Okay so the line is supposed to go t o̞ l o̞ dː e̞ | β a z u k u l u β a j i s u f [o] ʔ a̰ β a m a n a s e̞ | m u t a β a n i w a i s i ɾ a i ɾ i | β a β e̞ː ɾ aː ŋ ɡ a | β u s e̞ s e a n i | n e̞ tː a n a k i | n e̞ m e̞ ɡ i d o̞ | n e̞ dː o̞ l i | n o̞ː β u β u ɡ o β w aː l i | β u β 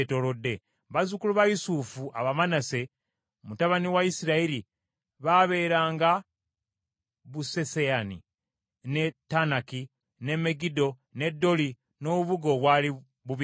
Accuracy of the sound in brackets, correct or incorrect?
incorrect